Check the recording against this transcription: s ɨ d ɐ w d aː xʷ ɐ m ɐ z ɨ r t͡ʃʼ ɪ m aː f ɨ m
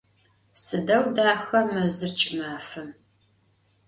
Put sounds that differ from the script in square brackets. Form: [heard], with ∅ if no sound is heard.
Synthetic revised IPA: s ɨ d ɐ w d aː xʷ ɐ m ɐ z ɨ r t͡ʃʼ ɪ m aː f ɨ m